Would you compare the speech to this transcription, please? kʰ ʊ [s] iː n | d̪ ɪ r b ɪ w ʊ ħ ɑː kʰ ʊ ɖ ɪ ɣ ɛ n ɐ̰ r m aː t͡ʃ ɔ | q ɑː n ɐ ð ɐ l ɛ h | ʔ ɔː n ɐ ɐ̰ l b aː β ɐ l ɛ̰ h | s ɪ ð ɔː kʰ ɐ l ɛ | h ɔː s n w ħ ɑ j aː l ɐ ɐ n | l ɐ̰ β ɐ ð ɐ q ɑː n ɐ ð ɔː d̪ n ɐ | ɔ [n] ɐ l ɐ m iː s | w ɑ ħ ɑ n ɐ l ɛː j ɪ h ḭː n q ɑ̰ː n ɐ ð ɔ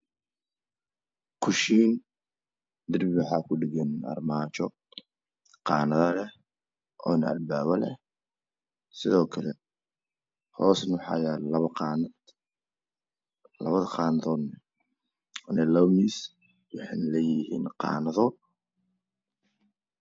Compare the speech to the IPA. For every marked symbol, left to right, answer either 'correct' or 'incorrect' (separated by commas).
incorrect, correct